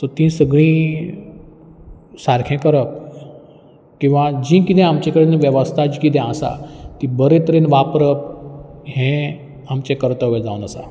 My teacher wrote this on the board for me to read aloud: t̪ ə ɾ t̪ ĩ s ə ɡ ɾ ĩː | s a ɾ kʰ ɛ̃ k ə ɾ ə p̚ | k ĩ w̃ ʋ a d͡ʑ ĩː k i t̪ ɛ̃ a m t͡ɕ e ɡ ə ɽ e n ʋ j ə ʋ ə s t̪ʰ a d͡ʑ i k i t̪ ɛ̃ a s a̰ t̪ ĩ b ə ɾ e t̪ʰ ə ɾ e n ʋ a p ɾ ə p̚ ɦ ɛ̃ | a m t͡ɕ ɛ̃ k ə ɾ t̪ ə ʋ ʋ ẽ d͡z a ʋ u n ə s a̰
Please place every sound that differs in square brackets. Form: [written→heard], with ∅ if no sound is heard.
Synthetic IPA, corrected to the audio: t̪ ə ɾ t̪ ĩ s ə ɡ [ɾ→ɭ] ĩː | s a ɾ kʰ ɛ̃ k ə ɾ ə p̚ | k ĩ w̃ ʋ a d͡ʑ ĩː k i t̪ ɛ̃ a m t͡ɕ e [ɡ→k] ə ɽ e n ʋ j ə ʋ ə s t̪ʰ a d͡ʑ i k i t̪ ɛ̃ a s a̰ t̪ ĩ b ə ɾ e [t̪ʰ→t̪] ə ɾ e n ʋ a p ɾ ə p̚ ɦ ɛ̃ | a m t͡ɕ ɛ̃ k ə ɾ t̪ ə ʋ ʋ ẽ d͡z a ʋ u n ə s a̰

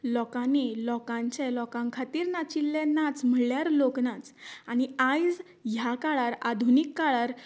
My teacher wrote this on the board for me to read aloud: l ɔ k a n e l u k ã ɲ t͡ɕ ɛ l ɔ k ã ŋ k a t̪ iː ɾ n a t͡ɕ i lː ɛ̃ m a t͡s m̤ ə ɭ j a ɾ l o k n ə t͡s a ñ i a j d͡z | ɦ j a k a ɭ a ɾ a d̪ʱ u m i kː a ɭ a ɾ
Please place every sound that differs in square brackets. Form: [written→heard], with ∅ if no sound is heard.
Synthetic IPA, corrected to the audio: l ɔ k a n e l [u→ɔ] k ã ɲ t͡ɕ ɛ l ɔ k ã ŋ [k→kʰ] a t̪ iː ɾ n a t͡ɕ i lː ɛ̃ [m→n] a t͡s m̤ ə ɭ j a ɾ l o k n [ə→a] t͡s a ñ i a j d͡z | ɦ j a k a ɭ a ɾ a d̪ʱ u [m→n] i kː a ɭ a ɾ

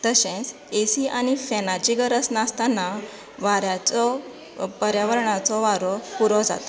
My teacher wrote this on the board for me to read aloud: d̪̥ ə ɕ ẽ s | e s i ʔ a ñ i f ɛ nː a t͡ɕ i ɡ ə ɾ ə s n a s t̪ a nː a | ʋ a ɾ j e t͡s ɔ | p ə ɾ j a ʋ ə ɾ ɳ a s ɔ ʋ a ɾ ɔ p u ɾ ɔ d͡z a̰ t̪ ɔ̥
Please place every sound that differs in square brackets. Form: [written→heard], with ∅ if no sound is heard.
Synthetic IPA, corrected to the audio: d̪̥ ə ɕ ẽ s | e s i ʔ a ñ i f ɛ [nː→n] a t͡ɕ i ɡ ə ɾ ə s n a s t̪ a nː a | ʋ a ɾ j [e→a] t͡s ɔ | p ə ɾ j a ʋ ə ɾ ɳ a [s→t͡s] ɔ ʋ a ɾ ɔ p u ɾ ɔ d͡z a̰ t̪ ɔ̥

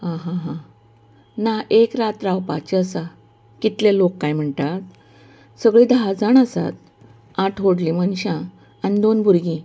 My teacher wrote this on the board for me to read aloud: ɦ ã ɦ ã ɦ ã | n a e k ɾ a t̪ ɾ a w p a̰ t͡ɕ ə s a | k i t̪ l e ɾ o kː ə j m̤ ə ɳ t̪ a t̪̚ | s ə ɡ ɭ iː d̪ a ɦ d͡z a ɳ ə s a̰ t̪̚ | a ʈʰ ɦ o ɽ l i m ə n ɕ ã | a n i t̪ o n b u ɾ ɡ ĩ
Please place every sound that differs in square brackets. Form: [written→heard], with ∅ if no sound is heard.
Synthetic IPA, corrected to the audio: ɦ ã ɦ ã ɦ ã | n a e k ɾ a t̪ ɾ a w p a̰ t͡ɕ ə s a | k i t̪ l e [ɾ→l] o kː [ə→a] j m̤ ə ɳ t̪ a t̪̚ | s ə ɡ ɭ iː d̪ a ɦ d͡z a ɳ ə s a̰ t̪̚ | a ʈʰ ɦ o ɽ l i m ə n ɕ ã | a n i [t̪→d̪] o n b u ɾ ɡ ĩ

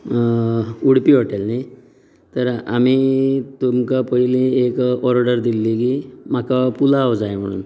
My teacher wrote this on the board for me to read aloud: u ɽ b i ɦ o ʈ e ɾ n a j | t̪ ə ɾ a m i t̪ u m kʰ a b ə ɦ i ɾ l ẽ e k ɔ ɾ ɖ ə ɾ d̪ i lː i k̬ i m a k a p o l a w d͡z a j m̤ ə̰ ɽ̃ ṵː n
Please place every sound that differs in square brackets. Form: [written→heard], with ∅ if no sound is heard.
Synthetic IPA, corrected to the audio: u ɽ [b→p] i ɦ o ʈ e [ɾ→l] n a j | t̪ ə ɾ a m i t̪ u m [kʰ→k] a [b→p] ə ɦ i [ɾ→∅] l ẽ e k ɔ ɾ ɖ ə ɾ d̪ i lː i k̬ i m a k a p [o→u] l a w d͡z a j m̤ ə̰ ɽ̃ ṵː n

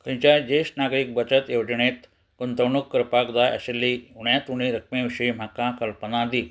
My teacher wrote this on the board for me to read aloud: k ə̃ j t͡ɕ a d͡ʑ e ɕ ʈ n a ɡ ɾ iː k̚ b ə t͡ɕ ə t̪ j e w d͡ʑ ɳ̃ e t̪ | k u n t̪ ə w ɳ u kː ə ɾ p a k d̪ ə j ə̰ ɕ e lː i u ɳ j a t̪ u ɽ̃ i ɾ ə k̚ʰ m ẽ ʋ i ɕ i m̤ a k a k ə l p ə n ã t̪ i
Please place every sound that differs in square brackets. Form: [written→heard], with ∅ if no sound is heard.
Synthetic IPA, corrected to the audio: k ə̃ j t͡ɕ a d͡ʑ e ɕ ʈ n a ɡ ɾ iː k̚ b ə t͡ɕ ə t̪ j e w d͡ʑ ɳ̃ e t̪ | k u n t̪ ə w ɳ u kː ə ɾ p a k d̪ [ə→a] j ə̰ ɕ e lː i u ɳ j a t̪ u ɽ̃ i ɾ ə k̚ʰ m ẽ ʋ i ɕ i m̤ a k a k ə l p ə n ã [t̪→d̪] i

